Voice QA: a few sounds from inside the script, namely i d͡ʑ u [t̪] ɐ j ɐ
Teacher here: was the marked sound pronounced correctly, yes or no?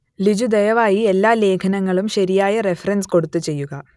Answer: no